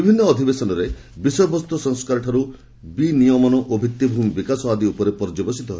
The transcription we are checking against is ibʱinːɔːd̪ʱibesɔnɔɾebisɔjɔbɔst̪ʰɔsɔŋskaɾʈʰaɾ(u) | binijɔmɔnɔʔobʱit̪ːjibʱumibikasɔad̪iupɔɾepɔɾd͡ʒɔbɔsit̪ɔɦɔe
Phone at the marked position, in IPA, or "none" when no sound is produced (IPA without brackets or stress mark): u